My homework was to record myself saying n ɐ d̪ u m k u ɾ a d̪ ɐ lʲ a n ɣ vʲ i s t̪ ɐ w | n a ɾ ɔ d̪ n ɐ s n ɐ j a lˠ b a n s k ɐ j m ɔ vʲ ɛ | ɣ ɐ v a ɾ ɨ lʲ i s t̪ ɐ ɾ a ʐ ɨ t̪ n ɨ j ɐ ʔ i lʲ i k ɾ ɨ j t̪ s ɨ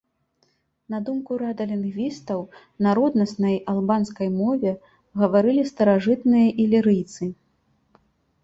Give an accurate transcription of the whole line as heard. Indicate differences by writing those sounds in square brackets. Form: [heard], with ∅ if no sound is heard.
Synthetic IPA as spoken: n ɐ d̪ u m k u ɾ a d̪ ɐ lʲ [i] n ɣ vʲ i s t̪ ɐ w | n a ɾ ɔ d̪ n ɐ s n ɐ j a lˠ b a n s k ɐ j m ɔ vʲ ɛ | ɣ ɐ v a ɾ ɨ lʲ i s t̪ ɐ ɾ a ʐ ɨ t̪ n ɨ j ɐ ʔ i lʲ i [∅] ɾ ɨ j t̪ s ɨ